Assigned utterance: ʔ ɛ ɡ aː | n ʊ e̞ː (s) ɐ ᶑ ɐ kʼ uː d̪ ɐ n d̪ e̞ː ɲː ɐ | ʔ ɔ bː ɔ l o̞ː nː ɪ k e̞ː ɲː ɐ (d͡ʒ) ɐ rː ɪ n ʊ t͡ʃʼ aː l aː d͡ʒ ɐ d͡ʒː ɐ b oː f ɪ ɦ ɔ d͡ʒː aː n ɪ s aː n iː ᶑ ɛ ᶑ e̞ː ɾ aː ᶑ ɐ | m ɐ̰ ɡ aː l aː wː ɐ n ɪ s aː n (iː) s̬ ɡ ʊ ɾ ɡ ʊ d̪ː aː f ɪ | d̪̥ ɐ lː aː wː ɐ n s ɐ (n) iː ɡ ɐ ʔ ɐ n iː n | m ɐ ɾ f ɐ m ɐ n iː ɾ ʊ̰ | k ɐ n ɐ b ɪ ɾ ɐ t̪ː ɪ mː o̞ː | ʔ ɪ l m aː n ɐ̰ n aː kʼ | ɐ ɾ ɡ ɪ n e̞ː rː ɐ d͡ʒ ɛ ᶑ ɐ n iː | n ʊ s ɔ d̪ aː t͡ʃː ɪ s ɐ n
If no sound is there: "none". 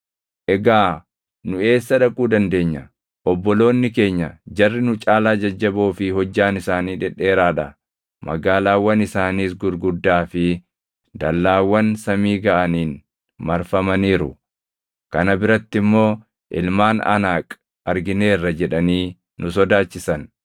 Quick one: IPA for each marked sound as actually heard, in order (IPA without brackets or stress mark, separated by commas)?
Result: sː, d͡ʒ, iː, m